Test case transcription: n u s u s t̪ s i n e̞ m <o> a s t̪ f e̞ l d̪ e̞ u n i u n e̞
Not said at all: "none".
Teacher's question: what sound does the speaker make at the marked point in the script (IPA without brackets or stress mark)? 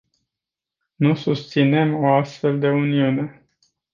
o